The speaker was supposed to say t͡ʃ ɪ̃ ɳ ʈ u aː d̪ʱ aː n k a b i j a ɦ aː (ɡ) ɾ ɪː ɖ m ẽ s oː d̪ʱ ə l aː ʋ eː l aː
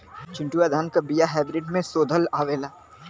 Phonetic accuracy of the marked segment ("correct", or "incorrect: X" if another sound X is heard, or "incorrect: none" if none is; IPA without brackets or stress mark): incorrect: b